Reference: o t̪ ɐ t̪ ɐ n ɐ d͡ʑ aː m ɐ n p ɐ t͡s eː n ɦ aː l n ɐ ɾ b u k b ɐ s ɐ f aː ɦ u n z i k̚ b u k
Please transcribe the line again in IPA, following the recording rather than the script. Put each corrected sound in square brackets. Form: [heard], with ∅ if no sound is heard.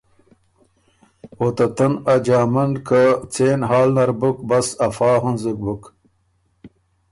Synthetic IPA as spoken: o t̪ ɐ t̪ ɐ n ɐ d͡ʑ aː m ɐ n [k] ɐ t͡s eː n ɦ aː l n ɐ ɾ b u k b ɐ s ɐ f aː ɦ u n z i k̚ b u k

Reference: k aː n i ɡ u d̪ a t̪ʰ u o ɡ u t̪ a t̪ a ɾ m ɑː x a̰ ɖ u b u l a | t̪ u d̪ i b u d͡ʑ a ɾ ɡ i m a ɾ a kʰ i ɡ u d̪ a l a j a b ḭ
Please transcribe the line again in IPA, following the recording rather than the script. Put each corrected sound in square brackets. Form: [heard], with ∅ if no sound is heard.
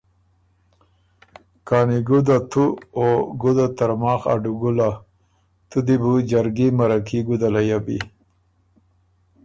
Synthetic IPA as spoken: k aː n i ɡ u d̪ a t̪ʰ u o ɡ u [d̪] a t̪ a ɾ m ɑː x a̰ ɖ u [ɡ] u l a | t̪ u d̪ i b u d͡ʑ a ɾ ɡ i m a ɾ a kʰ i ɡ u d̪ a l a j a b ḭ

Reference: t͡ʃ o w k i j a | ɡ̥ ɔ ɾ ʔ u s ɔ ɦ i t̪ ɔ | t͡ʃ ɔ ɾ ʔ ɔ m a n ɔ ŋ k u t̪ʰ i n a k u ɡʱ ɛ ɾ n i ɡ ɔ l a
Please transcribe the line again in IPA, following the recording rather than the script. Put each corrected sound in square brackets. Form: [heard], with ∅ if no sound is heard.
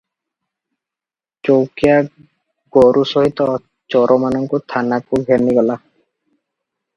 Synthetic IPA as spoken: t͡ʃ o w k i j a | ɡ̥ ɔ ɾ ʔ u s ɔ ɦ i t̪ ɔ | t͡ʃ ɔ ɾ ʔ ɔ m a n ɔ ŋ k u t̪ʰ [a] n a k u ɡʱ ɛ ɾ n i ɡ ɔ l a

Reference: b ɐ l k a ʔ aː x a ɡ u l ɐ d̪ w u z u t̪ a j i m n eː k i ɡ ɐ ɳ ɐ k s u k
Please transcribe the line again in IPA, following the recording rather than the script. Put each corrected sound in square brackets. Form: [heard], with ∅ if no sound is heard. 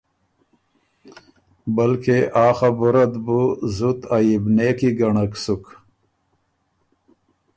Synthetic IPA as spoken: b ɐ l k [e] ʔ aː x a [b] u [ɾ] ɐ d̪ [b] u z u t̪ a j i [b] n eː k i ɡ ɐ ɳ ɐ k s u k

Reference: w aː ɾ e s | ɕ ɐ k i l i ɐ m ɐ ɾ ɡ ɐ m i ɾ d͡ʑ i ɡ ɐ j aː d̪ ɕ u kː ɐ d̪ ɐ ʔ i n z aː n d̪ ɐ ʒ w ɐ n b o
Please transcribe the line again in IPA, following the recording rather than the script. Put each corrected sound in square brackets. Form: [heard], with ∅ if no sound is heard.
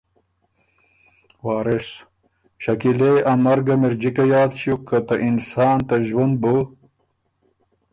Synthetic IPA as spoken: w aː ɾ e s | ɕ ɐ k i l [e] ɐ m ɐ ɾ ɡ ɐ m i ɾ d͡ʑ i [k] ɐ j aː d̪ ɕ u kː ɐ [t̪] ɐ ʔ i n [s] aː n [t̪] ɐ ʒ w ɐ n b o

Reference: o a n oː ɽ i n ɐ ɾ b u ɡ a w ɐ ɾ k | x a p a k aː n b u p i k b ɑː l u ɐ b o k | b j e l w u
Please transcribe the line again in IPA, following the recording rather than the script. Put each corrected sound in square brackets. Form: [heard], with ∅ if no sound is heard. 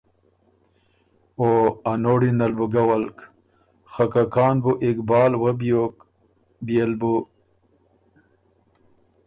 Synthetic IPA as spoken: o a n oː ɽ i n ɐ [l] b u ɡ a w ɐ [l] k | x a [k] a k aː n b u [ʔ] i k b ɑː l [w] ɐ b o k | b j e l [b] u

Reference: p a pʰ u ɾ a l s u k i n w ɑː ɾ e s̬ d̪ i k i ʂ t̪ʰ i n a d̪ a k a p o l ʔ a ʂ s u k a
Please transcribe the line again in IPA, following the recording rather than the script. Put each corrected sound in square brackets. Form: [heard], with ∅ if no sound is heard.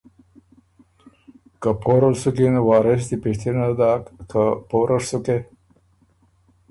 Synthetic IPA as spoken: [k] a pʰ [o] ɾ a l s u k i n w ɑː ɾ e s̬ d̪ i [p] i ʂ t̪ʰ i n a d̪ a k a p o [ɾ] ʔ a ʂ s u k [e]

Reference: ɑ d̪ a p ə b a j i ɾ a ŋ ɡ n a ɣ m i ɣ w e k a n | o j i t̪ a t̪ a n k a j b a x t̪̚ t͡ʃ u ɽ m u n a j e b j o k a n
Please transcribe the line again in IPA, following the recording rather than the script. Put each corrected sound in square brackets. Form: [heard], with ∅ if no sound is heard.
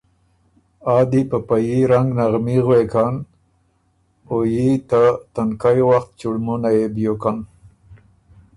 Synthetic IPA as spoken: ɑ d̪ [i] p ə [p] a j i ɾ a ŋ ɡ n a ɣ m i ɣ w e k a n | o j i t̪ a t̪ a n k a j [w] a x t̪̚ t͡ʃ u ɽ m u n a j e b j o k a n

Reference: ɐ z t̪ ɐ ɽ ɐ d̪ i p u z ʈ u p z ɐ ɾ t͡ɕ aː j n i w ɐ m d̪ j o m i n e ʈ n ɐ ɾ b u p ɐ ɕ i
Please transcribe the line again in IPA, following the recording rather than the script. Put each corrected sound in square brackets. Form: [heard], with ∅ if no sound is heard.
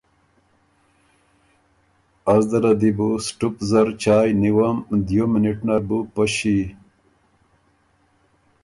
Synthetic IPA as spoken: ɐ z [d̪] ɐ [ɾ] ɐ d̪ i [b] u [s] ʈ u p z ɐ ɾ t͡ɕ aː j n i w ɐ m d̪ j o m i n [i] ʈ n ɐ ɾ b u p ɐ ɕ i

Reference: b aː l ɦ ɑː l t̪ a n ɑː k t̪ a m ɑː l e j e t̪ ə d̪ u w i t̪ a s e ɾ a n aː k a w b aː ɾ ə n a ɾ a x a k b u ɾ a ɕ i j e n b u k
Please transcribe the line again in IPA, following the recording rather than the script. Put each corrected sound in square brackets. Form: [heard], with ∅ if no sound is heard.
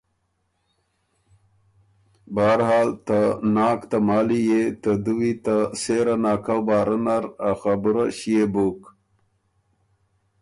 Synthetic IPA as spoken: b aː [ɾ] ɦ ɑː l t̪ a n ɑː k t̪ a m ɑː l [i] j e t̪ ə d̪ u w i t̪ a s e ɾ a n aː k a w b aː ɾ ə n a ɾ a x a [∅] b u ɾ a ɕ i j e [∅] b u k

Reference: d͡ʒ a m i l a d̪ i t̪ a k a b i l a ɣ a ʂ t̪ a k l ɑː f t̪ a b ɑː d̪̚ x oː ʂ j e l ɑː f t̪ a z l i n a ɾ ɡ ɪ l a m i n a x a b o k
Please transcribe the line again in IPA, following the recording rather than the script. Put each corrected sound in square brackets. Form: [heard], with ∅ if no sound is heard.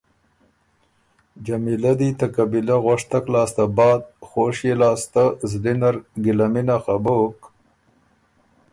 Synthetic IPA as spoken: d͡ʒ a m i l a d̪ i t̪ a k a b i l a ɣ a ʂ t̪ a k l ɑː [s] t̪ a b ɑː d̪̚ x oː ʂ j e l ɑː [s] t̪ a z l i n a ɾ ɡ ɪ l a m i n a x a b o k

